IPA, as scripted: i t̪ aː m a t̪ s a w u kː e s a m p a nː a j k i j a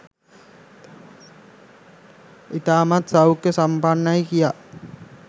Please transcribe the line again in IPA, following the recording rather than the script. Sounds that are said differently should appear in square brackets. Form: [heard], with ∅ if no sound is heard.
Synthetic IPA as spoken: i t̪ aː m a t̪ s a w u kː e s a m p a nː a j k i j a

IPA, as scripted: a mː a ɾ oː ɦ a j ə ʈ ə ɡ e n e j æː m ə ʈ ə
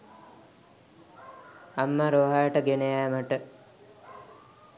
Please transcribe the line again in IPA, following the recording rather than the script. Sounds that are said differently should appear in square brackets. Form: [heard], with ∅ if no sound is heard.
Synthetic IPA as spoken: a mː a ɾ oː ɦ a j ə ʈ ə ɡ e n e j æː m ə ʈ ə

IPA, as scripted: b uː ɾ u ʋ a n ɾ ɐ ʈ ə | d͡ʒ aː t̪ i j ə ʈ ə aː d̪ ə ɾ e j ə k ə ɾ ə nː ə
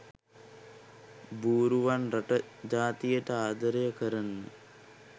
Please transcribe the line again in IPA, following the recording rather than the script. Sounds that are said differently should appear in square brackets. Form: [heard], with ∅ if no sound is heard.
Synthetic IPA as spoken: b uː ɾ u ʋ a n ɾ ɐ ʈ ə | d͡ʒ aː t̪ i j ə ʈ ə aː d̪ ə ɾ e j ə k ə ɾ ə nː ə

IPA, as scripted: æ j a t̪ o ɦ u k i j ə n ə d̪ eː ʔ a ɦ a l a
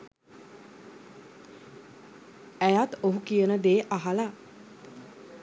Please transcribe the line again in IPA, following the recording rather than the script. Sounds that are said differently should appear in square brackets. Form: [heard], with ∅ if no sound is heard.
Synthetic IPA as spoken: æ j a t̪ o ɦ u k i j ə n ə d̪ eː ʔ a ɦ a l a

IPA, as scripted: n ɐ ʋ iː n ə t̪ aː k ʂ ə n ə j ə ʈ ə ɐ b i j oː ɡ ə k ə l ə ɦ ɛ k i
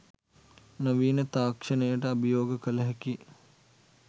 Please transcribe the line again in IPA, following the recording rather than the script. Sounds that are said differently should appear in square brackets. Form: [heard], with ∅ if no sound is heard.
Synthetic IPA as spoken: n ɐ ʋ iː n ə t̪ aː k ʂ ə n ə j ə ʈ ə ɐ b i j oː ɡ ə k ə l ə ɦ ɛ k i

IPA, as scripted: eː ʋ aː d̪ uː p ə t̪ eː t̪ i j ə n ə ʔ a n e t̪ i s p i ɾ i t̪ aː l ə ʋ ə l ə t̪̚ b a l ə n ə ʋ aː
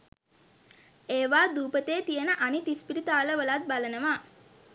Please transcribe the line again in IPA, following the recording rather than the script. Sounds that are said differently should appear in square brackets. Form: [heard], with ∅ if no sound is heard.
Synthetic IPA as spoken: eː ʋ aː d̪ uː p ə t̪ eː t̪ i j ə n ə ʔ a n [i] t̪ i s p i ɾ i t̪ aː l ə ʋ ə l [a] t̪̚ b a l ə n ə ʋ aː

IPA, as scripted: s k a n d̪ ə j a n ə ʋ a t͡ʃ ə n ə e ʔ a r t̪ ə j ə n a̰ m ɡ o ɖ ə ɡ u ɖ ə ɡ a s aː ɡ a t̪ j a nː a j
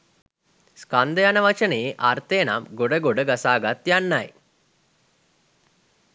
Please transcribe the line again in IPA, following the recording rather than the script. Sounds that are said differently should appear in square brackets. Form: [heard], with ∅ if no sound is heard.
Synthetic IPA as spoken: s k a n d̪ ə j a n ə ʋ a t͡ʃ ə n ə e ʔ a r t̪ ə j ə n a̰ m ɡ o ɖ ə ɡ [o] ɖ ə ɡ a s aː ɡ a t̪ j a nː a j

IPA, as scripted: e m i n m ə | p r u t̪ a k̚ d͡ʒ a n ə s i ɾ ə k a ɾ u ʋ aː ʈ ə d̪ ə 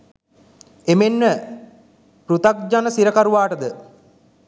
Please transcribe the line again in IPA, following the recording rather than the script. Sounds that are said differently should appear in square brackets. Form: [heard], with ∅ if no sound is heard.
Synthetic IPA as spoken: e m [e] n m ə | p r u t̪ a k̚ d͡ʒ a n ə s i ɾ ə k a ɾ u ʋ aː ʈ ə d̪ ə

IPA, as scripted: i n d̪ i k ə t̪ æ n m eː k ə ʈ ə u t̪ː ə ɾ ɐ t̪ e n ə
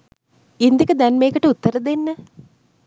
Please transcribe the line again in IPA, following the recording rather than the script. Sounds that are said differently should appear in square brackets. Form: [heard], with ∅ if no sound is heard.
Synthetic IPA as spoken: i n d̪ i k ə [d̪] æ n m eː k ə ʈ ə u t̪ː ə ɾ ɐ [d̪] e [nː] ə

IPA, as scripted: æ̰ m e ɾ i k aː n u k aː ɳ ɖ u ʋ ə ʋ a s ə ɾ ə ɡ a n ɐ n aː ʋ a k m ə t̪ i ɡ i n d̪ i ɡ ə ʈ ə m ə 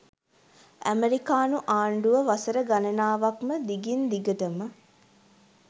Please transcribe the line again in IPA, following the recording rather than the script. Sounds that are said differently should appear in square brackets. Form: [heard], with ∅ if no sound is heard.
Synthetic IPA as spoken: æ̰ m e ɾ i k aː n u [ʔ] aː ɳ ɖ u ʋ ə ʋ a s ə ɾ ə ɡ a n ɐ n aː ʋ a k m ə [d̪] i ɡ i n d̪ i ɡ ə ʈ ə m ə

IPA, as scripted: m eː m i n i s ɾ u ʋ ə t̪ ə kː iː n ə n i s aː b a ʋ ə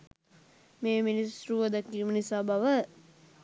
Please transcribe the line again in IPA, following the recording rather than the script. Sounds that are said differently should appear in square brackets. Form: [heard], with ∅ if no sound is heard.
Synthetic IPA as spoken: m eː m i n i s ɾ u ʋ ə [d̪] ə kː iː [m] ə n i s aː b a ʋ ə

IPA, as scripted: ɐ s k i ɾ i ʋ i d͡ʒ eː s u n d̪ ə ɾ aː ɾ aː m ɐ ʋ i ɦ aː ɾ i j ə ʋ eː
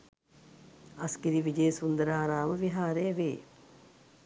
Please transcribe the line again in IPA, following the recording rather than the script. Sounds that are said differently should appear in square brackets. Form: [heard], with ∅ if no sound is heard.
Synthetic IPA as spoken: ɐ s k i ɾ i ʋ i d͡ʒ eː s u n d̪ ə ɾ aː ɾ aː m [ə] ʋ i ɦ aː ɾ [e] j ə ʋ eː

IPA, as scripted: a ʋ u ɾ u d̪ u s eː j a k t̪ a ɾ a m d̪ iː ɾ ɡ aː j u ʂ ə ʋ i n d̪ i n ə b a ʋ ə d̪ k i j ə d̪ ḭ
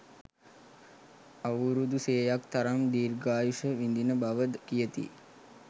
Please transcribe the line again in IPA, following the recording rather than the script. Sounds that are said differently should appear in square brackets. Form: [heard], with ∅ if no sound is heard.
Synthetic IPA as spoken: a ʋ u ɾ u d̪ u s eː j a k t̪ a ɾ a m d̪ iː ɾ ɡ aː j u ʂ ə ʋ i n d̪ i n ə b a ʋ ə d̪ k i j ə [t̪] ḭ

